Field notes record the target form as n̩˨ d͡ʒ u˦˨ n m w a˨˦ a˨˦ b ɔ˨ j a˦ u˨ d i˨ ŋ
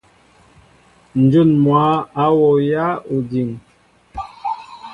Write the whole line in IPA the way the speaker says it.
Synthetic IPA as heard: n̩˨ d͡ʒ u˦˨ n m w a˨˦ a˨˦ w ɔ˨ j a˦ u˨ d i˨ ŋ